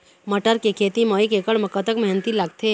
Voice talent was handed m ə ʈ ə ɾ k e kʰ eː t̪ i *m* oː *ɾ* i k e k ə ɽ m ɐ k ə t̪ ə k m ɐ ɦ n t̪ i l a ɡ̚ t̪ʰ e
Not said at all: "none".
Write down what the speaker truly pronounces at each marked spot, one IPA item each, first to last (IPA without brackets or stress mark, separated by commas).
m, none